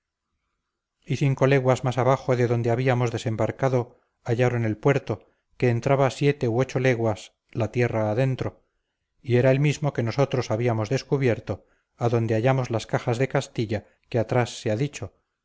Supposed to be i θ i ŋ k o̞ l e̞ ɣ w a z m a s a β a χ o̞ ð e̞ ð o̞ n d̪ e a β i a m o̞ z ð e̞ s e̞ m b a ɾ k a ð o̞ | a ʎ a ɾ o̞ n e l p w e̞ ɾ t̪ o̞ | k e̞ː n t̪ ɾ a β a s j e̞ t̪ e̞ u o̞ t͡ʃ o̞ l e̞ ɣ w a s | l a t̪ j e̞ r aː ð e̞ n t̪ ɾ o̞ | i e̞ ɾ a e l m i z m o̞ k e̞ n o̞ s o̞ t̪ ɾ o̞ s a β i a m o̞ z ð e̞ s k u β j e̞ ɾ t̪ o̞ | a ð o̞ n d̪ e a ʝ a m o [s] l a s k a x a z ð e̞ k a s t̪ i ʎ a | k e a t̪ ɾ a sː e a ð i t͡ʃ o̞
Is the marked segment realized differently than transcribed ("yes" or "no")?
yes